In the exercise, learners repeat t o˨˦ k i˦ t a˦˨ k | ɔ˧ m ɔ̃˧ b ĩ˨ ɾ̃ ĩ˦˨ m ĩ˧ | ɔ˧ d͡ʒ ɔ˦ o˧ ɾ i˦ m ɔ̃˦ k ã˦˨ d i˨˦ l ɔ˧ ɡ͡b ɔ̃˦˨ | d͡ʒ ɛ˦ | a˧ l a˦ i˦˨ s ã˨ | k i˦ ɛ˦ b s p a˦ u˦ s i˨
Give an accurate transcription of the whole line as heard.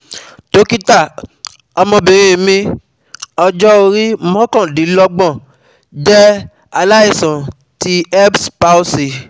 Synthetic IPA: t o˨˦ k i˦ t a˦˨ | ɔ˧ m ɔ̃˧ b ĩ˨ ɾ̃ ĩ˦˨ m ĩ˧ | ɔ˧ d͡ʒ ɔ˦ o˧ ɾ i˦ m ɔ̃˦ k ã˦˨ d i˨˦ l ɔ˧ ɡ͡b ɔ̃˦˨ | d͡ʒ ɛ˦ | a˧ l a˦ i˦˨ s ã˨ | t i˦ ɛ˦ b s p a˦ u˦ s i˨